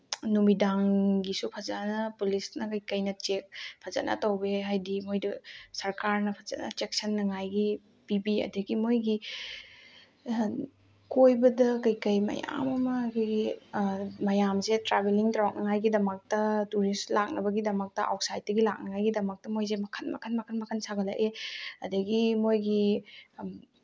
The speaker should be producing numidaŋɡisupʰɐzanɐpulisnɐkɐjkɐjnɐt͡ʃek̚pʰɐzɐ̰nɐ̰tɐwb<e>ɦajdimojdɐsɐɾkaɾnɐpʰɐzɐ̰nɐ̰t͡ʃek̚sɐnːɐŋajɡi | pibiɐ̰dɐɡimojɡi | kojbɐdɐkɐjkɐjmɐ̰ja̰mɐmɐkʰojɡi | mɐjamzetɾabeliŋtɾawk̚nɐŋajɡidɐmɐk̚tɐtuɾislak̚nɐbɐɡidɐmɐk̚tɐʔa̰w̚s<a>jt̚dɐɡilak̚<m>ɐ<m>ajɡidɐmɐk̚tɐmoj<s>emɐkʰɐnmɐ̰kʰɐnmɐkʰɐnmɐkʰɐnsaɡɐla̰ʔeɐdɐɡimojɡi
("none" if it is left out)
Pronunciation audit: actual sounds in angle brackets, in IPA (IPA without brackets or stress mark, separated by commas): e, a, n, ŋ, z